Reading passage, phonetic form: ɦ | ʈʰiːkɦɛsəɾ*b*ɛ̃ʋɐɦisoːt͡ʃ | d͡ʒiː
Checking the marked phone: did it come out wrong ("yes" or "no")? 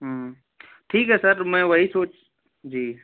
yes